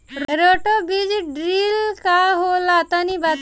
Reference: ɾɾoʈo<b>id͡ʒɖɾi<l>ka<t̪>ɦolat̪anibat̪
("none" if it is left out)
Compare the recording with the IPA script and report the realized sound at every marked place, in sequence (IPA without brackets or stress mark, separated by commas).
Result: b, l, none